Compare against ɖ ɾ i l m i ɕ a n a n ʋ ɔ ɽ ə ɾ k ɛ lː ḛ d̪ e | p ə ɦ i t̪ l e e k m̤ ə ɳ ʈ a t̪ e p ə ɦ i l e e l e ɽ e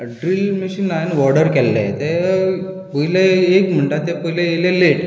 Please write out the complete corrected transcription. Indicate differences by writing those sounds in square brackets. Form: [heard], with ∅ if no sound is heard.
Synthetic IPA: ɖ ɾ i l m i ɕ [i] n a n ʋ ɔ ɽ ə ɾ k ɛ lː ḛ [t̪] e | p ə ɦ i [∅] l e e k m̤ ə ɳ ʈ a t̪ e p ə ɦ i l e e l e [l] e